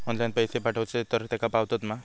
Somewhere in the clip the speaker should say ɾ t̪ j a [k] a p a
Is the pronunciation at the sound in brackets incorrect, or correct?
correct